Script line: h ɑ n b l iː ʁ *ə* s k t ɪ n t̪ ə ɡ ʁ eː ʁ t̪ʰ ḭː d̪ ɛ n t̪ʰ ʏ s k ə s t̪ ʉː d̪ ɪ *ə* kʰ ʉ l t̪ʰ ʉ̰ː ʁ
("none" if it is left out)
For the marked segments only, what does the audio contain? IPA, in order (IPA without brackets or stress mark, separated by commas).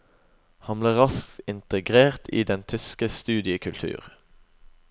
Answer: ɑ, ə